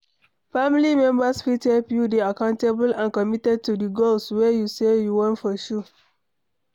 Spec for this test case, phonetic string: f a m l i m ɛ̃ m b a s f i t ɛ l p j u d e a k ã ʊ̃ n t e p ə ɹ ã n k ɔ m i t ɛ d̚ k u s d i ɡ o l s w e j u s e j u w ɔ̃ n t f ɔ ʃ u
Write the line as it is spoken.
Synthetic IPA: f a m l i m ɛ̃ m b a s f i t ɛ l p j u d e a k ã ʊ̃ n t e b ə l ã n k ɔ m i t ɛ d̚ t u d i ɡ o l s w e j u s e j u w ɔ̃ n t f ɔ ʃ u